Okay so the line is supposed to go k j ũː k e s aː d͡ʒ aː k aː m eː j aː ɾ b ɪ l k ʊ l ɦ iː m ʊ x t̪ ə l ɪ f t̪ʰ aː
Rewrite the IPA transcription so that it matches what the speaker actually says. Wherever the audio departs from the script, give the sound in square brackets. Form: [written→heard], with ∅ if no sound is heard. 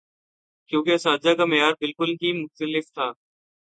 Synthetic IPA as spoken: k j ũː k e s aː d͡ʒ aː k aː m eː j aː ɾ b ɪ l k ʊ l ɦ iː m ʊ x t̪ ə l ɪ f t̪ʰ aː